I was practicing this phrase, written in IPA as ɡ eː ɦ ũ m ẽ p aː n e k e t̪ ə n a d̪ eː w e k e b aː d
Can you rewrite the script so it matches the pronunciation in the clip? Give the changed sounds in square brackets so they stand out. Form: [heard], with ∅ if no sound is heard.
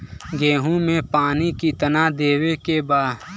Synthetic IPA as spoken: ɡ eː ɦ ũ m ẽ p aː n [i] k [i] t̪ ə n a d̪ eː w e k e b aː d